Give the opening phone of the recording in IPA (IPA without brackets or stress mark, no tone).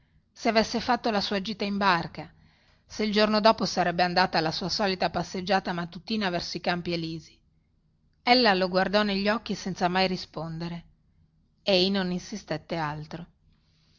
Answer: s